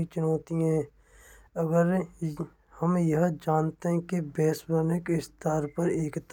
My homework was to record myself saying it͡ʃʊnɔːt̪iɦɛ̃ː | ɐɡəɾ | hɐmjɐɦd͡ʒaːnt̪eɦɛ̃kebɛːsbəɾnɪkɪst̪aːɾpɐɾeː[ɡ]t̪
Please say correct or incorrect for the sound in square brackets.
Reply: incorrect